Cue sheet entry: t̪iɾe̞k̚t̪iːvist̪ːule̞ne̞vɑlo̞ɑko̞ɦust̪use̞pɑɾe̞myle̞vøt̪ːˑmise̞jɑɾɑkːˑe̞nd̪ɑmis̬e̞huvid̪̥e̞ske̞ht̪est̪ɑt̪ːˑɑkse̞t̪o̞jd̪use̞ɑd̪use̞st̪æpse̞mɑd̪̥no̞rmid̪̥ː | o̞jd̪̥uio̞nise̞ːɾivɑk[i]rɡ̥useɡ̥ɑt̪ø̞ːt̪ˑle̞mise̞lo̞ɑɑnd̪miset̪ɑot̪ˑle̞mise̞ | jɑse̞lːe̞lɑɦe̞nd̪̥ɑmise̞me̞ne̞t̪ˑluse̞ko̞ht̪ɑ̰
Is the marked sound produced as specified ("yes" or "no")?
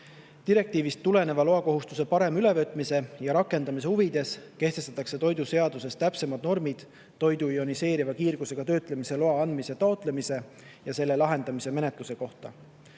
no